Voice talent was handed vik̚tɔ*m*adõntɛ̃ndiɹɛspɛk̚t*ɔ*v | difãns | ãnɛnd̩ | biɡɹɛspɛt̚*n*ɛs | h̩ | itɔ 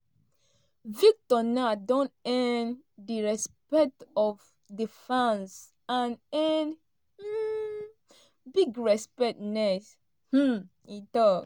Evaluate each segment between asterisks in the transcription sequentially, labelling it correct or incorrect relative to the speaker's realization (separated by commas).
incorrect, correct, correct